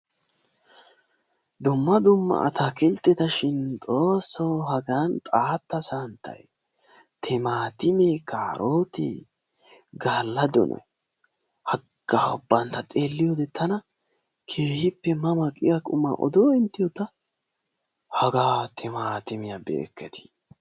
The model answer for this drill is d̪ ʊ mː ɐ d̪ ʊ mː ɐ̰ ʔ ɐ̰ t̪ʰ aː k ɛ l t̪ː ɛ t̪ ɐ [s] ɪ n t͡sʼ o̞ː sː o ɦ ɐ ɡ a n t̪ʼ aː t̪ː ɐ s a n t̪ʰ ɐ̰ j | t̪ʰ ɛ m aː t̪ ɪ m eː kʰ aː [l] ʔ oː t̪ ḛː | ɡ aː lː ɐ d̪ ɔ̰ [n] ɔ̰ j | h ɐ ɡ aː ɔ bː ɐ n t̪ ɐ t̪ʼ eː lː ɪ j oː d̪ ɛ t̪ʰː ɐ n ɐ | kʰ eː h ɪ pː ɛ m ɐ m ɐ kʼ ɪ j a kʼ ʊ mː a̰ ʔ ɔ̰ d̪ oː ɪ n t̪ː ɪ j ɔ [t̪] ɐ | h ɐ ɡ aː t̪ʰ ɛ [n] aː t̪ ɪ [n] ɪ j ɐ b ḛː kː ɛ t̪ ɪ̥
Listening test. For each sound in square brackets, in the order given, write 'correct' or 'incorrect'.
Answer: incorrect: ʃ, incorrect: ɾ, correct, correct, incorrect: m, incorrect: m

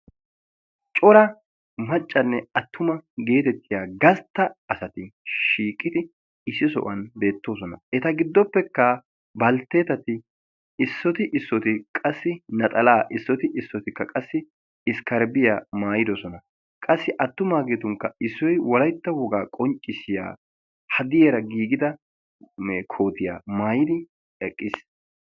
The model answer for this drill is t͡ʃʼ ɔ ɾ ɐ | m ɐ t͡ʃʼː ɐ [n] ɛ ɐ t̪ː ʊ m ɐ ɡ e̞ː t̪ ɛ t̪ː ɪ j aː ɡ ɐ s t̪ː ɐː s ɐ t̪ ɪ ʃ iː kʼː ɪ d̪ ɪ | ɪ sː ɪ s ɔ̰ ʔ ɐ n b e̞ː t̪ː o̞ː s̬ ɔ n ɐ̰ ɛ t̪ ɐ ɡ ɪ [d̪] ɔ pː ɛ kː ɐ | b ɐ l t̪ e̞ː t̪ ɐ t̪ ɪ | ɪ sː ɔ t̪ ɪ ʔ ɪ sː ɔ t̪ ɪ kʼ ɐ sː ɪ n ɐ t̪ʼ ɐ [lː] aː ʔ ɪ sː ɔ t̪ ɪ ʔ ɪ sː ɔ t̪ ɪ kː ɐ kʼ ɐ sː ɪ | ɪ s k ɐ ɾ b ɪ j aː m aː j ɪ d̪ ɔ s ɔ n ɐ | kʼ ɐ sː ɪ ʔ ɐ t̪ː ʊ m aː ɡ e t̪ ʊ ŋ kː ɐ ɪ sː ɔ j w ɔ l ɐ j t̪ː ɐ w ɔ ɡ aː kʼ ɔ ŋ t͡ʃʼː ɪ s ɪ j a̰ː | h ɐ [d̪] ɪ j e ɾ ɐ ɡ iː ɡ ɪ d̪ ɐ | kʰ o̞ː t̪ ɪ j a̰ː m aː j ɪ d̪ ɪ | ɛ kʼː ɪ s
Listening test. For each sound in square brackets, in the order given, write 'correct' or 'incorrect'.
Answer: incorrect: nː, incorrect: d̪ː, incorrect: l, correct

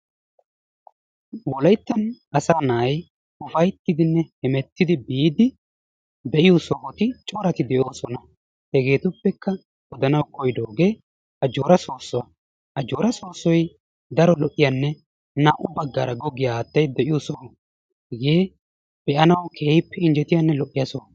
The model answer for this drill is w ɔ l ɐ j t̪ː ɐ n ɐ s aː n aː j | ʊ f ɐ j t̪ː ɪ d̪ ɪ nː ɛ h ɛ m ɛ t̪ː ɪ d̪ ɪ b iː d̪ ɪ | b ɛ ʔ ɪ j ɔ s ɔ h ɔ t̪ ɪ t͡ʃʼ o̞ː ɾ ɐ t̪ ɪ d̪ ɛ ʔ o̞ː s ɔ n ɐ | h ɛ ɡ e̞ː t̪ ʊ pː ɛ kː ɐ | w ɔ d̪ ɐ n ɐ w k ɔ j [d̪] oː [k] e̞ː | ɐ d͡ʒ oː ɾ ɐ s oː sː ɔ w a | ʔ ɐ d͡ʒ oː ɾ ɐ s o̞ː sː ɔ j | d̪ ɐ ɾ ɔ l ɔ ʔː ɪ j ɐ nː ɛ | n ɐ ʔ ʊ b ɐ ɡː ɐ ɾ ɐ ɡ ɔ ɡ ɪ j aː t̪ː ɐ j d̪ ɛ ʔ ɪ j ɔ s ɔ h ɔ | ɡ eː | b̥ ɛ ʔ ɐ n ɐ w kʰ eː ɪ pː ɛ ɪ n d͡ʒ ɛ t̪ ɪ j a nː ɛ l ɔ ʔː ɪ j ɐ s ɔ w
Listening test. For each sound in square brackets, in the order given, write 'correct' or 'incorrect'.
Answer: correct, incorrect: ɡ

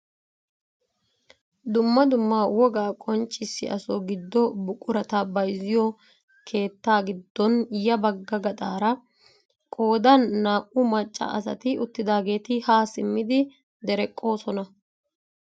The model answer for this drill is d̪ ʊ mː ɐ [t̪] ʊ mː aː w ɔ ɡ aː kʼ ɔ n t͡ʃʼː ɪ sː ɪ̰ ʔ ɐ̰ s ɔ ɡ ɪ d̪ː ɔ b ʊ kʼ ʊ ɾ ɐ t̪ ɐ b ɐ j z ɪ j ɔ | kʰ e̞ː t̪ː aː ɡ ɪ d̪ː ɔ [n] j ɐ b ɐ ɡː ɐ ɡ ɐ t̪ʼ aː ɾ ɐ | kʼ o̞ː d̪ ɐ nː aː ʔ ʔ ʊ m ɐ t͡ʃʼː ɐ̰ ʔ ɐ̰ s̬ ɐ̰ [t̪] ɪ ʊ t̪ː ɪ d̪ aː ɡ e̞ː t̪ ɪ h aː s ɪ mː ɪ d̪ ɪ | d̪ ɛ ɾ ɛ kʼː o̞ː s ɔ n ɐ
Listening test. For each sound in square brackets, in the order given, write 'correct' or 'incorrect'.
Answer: incorrect: d̪, correct, correct

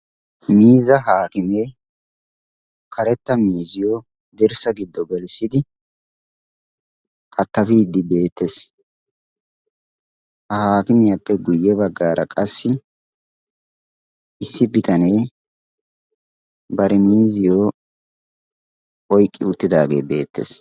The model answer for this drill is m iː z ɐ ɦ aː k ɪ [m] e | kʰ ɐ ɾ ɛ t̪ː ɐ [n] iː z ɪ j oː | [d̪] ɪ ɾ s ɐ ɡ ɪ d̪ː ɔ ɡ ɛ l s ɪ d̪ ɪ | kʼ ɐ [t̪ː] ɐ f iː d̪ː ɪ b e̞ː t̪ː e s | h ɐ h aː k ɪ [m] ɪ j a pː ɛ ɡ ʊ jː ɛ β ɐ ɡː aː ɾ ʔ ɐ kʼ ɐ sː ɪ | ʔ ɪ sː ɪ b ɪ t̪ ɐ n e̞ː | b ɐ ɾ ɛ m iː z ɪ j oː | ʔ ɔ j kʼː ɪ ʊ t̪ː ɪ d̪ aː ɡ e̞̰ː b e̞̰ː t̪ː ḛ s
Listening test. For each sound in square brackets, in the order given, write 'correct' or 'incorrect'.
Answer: correct, incorrect: m, correct, correct, correct

